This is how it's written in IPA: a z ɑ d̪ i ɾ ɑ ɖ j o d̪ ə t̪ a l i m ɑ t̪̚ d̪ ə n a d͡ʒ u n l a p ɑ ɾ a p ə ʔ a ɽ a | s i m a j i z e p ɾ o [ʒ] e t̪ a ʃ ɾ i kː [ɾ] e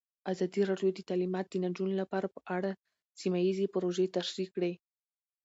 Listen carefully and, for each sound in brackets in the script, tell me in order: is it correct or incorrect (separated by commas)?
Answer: correct, incorrect